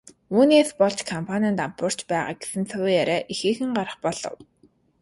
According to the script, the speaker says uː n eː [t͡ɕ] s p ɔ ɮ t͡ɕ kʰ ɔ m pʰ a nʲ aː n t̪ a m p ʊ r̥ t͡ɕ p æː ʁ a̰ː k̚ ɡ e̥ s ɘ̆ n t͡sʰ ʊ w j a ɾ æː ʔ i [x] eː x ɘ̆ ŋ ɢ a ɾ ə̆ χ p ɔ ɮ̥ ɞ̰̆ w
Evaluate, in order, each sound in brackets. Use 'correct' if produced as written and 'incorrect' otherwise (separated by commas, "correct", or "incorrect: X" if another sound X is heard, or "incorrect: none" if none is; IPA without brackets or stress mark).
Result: incorrect: none, correct